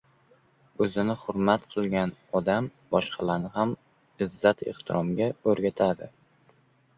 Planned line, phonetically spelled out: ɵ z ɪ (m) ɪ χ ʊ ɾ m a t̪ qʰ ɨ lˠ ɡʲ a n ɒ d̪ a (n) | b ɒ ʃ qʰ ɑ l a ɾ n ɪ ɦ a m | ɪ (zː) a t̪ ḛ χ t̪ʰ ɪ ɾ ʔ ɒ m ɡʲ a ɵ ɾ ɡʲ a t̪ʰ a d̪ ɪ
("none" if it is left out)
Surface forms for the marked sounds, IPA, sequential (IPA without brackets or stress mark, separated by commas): n, m, zː